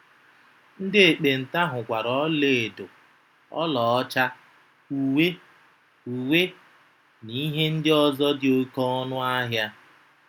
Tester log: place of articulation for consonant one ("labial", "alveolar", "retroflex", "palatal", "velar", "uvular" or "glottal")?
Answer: alveolar